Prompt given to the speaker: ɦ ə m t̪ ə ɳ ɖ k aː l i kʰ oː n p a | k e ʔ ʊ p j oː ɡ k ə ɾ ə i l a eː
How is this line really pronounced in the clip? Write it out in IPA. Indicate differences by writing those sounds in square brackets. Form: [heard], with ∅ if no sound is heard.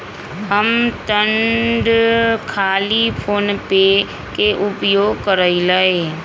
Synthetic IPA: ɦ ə m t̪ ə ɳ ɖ [kʰ] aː l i [pʰ] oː n p [e] | k e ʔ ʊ p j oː ɡ k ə ɾ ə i l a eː